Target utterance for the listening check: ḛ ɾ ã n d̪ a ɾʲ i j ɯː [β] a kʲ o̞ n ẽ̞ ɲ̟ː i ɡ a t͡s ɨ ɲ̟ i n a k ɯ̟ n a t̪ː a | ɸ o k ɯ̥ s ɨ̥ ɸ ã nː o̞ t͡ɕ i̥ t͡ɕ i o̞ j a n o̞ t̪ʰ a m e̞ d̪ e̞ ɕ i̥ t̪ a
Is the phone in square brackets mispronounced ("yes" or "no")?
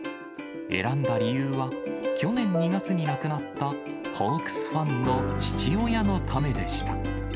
no